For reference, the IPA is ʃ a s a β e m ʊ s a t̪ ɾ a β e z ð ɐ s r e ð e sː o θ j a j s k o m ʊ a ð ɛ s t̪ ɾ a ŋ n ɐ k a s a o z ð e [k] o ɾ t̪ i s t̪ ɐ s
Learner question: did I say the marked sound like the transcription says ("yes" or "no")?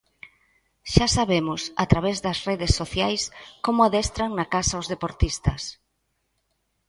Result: no